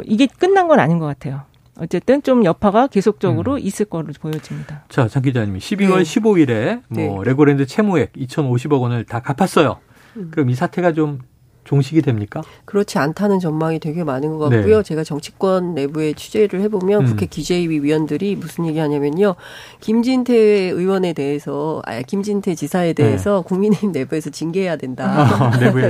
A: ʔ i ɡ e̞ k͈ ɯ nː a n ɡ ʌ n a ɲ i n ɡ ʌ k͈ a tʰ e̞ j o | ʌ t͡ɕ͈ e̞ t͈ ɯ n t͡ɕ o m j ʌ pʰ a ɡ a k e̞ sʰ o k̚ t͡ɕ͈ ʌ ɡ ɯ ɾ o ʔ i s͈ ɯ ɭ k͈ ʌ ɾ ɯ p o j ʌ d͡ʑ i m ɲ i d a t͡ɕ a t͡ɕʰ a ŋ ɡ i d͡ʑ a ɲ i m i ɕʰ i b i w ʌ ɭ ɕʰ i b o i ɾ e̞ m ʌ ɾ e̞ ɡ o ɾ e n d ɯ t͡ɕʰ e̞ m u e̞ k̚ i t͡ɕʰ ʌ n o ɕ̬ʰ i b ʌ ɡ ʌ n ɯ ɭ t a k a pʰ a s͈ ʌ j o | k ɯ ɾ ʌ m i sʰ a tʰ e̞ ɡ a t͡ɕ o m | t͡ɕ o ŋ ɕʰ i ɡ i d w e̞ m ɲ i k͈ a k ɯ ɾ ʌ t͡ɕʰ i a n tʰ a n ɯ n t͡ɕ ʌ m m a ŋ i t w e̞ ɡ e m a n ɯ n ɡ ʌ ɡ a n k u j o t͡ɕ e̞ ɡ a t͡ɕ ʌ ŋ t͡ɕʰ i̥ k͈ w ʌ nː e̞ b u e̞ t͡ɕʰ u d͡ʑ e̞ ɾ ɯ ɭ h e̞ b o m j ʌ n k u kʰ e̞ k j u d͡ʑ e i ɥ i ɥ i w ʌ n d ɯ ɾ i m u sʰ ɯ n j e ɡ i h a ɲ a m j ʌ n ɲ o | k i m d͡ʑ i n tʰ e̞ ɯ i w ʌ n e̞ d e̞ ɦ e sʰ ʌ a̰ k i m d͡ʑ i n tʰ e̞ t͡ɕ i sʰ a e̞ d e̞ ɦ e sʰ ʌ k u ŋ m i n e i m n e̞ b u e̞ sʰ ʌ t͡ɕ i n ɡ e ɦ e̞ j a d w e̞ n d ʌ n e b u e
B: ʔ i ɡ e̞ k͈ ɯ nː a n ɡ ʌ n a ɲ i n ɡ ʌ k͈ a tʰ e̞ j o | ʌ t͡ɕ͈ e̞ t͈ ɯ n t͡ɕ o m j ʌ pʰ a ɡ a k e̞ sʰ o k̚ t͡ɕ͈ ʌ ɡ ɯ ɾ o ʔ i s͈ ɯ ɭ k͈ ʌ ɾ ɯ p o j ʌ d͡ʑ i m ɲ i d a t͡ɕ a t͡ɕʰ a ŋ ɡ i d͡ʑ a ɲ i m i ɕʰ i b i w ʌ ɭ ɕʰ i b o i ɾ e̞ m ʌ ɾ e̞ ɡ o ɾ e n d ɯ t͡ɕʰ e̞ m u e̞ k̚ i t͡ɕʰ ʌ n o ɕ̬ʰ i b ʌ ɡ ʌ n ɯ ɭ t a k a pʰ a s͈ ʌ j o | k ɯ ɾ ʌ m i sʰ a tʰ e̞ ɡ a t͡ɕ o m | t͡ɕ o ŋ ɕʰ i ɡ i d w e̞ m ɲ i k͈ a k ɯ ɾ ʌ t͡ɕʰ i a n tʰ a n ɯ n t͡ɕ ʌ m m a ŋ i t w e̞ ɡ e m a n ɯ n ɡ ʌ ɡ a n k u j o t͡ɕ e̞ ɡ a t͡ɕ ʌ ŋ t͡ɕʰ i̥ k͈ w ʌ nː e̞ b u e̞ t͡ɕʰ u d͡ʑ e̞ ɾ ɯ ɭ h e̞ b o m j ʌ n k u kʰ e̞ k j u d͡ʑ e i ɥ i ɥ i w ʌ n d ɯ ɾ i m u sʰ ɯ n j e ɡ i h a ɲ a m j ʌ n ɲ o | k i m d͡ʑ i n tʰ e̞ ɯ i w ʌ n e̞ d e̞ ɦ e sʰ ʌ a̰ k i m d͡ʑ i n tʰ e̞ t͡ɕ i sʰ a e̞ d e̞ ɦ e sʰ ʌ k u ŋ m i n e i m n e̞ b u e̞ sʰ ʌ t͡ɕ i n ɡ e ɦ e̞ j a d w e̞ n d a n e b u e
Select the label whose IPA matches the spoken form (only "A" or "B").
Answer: B